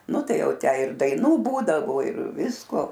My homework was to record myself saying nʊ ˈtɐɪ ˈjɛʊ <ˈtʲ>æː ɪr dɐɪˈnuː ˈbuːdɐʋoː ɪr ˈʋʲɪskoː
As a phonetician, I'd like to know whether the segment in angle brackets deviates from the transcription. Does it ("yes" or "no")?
no